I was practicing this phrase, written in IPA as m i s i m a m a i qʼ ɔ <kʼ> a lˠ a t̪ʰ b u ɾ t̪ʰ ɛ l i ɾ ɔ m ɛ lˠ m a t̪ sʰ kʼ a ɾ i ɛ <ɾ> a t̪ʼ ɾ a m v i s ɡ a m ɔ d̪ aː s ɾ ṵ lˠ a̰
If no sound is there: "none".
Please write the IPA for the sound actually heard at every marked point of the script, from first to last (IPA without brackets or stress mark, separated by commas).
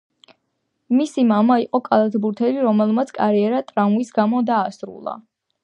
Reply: kʼ, ɾ